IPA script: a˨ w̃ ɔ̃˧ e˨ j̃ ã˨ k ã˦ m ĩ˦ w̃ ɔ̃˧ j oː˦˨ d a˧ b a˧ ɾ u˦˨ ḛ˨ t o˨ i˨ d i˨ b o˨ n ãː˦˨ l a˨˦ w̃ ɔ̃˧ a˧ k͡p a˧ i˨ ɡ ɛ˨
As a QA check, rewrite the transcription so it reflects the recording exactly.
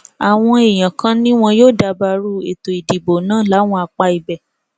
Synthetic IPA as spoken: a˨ w̃ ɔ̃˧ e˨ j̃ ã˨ k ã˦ n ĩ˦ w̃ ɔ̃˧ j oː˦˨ d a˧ b a˧ ɾ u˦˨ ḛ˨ t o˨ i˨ d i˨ b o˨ n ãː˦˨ l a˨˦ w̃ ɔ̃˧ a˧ k͡p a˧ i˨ b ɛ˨